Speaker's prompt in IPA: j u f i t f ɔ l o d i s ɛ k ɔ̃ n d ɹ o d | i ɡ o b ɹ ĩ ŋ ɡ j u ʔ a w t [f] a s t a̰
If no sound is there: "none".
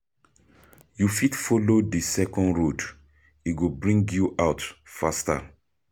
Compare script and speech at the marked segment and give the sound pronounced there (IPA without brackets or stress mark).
f